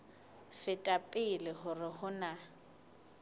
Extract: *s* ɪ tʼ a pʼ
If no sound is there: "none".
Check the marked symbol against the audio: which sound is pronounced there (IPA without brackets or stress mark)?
f